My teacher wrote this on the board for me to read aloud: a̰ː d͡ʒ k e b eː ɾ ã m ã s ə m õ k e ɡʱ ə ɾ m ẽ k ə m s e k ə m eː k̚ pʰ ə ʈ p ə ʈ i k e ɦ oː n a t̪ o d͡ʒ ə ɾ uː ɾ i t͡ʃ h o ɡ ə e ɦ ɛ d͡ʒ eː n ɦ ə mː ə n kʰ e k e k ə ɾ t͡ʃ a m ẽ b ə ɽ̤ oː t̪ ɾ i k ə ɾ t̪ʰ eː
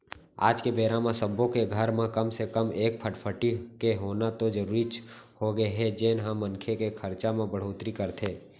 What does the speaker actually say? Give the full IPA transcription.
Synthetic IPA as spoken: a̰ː d͡ʒ k e b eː ɾ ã m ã s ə b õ k e ɡʱ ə ɾ m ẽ k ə m s e k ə m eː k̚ pʰ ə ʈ pʰ ə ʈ i k e ɦ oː n a t̪ o d͡ʒ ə ɾ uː ɾ i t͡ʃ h o ɡ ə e ɦ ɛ d͡ʒ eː n ɦ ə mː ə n kʰ e k e kʰ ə ɾ t͡ʃ a m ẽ b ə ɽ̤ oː t̪ ɾ i k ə ɾ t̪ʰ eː